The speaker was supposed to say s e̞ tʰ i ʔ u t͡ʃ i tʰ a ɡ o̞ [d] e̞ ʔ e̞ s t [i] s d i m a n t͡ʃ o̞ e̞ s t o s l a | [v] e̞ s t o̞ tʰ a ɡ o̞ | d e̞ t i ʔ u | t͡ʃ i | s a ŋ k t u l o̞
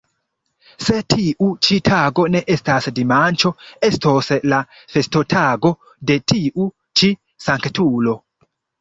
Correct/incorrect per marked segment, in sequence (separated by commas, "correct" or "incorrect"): incorrect, incorrect, incorrect